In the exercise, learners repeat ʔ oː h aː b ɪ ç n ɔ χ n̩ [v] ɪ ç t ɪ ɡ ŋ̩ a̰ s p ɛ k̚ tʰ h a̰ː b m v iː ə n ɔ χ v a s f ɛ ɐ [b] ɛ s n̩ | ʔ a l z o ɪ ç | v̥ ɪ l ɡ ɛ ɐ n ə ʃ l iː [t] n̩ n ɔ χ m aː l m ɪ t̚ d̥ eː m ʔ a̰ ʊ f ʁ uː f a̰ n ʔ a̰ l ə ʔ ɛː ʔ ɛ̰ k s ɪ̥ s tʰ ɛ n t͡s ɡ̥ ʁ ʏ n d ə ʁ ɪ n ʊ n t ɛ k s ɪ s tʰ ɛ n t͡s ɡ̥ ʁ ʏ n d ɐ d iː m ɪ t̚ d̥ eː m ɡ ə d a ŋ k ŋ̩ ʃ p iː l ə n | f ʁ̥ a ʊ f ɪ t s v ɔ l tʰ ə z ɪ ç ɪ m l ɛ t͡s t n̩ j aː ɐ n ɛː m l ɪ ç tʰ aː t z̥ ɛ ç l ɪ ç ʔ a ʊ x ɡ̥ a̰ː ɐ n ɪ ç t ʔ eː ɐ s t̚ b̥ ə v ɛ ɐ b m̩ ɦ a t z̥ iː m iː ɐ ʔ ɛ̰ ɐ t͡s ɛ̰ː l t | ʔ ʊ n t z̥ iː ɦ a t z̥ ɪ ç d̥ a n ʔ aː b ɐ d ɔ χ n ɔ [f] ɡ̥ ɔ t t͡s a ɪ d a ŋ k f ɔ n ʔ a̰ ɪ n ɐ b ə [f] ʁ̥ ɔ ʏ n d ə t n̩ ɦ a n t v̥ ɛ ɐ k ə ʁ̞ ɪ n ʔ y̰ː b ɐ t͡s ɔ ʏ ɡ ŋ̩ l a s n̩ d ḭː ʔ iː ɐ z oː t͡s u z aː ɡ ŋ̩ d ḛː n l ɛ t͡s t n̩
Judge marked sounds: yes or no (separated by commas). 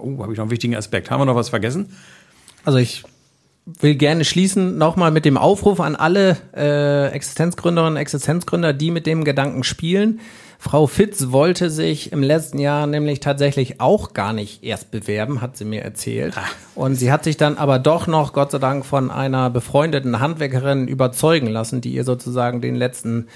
yes, no, no, no, yes